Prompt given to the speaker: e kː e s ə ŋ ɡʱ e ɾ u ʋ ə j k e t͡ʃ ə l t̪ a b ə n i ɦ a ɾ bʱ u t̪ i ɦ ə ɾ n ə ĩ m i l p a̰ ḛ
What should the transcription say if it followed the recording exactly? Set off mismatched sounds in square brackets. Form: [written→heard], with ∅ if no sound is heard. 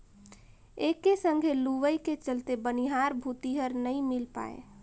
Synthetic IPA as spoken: e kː e s ə ŋ ɡʱ e [ɾ→l] u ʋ ə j k e t͡ʃ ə l t̪ [a→e] b ə n i ɦ a ɾ bʱ u t̪ i ɦ ə ɾ n ə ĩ m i l p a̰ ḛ